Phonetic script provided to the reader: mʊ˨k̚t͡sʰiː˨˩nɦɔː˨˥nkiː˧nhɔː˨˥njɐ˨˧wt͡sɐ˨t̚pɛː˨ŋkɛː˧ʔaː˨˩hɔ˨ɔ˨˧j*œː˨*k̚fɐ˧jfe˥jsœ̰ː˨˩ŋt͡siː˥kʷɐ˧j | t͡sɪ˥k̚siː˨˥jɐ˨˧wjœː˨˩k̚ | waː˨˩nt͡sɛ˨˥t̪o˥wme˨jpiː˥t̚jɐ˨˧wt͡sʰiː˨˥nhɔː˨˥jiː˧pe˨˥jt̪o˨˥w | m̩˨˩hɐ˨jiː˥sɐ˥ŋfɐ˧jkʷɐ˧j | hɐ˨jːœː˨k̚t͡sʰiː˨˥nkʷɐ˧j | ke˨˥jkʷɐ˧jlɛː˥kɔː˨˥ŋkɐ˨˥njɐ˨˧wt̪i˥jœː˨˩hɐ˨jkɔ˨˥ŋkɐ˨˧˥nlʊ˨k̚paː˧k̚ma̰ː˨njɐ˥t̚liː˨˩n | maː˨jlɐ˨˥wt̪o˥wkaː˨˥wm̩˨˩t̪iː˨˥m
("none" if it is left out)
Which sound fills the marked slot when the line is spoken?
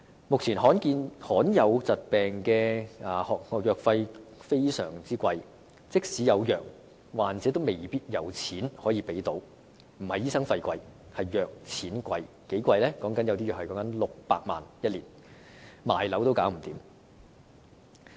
œː˨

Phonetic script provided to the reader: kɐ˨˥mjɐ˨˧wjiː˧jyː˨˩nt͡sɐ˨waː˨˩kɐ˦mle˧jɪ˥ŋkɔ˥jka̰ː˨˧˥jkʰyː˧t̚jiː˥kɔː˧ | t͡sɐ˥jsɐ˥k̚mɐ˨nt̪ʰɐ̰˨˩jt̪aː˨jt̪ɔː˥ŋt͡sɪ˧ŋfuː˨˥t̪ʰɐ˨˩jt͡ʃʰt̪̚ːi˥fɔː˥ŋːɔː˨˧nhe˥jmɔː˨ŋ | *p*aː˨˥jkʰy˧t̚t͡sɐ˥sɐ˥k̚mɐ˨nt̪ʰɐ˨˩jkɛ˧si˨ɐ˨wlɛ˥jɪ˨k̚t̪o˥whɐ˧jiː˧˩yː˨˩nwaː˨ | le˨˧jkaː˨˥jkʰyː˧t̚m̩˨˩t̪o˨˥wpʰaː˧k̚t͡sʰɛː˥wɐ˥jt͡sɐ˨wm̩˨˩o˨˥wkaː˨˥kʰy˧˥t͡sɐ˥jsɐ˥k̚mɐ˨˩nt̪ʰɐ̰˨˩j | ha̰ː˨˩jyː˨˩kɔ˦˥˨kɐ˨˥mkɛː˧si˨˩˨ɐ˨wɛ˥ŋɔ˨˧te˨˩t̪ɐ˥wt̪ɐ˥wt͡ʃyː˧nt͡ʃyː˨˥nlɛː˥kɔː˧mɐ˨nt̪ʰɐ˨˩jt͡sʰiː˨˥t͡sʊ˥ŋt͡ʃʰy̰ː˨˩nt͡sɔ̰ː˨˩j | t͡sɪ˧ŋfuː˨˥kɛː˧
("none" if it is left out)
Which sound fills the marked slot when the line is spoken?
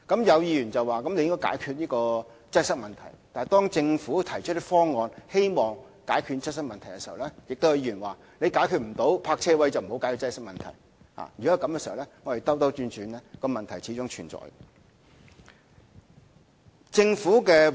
k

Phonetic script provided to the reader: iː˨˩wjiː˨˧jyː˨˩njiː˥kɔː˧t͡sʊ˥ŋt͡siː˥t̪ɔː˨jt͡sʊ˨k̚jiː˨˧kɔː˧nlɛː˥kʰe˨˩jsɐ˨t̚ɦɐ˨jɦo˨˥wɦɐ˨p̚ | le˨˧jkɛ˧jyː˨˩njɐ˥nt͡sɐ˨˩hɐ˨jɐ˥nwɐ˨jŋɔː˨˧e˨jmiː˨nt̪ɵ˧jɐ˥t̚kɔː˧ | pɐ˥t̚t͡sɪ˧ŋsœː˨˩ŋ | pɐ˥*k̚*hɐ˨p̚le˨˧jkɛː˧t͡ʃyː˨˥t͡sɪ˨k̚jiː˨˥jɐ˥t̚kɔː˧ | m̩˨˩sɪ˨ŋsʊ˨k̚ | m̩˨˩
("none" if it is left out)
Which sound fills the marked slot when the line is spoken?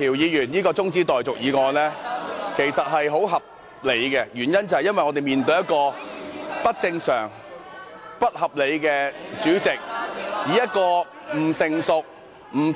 t̚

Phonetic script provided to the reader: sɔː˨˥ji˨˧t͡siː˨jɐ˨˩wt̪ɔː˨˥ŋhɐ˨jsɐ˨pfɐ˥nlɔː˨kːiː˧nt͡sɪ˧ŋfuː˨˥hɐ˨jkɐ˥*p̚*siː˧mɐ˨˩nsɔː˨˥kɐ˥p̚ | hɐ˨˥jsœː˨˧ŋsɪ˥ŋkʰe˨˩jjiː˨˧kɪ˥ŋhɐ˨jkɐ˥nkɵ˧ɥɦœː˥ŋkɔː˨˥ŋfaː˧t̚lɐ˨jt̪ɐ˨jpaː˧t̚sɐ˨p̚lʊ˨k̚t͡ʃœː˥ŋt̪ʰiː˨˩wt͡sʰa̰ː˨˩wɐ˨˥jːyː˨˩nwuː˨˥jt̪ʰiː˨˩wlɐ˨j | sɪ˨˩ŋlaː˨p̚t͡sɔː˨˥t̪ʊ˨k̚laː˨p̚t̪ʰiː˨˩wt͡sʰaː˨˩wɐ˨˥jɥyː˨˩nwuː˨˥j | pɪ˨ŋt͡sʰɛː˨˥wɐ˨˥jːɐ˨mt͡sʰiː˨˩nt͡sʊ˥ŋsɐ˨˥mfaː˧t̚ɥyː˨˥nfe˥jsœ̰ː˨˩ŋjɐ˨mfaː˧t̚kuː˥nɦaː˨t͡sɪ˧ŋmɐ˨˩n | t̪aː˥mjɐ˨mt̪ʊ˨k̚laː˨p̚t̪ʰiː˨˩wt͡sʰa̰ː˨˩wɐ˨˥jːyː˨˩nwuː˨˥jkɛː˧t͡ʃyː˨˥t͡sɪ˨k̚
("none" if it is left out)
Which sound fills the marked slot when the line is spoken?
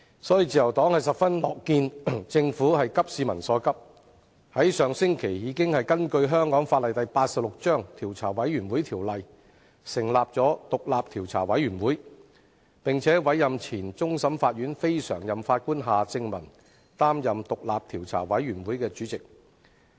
p̚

